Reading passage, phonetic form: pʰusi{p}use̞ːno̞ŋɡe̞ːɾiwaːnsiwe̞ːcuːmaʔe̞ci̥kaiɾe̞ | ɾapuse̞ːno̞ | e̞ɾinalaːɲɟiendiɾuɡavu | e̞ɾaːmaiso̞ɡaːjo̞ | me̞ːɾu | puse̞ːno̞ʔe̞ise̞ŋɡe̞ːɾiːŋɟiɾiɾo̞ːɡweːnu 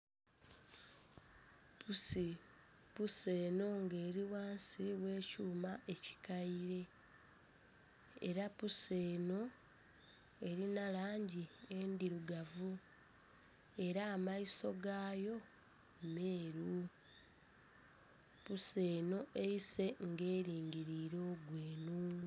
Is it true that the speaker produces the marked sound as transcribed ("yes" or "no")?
yes